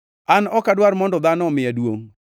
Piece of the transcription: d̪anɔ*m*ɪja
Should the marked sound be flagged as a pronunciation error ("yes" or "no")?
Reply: no